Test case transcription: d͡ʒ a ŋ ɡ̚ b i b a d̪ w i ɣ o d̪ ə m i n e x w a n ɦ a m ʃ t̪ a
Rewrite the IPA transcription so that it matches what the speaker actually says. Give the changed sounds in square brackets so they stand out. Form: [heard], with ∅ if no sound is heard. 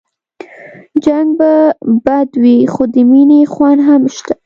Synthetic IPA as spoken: d͡ʒ a ŋ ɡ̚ b [a] b a d̪ w i [x] o d̪ ə m i n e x w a n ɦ a m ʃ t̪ a